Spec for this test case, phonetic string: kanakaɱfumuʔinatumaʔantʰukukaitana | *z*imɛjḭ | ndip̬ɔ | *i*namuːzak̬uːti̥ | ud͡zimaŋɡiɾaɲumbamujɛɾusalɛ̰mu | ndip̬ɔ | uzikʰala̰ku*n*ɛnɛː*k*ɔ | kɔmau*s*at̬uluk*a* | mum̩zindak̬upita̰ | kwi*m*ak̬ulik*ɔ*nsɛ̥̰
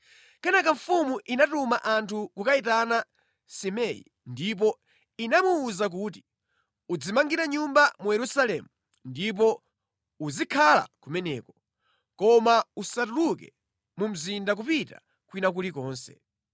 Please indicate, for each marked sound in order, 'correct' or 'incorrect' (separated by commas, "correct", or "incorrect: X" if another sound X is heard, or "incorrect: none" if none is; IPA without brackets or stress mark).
incorrect: s, correct, incorrect: m, correct, correct, incorrect: ɛ, incorrect: n, incorrect: ɔː